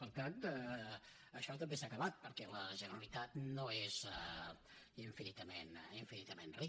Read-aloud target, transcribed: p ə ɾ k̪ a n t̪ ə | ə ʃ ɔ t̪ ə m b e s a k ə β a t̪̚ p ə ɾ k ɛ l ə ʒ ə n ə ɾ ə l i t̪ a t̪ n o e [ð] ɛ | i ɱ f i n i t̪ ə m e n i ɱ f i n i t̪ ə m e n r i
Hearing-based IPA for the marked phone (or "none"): z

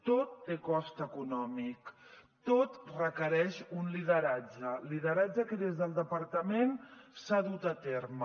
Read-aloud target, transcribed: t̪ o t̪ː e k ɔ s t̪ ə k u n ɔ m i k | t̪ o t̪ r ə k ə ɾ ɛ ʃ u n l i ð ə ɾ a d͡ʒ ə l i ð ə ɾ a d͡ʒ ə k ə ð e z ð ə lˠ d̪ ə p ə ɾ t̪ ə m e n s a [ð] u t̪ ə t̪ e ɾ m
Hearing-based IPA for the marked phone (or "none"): ð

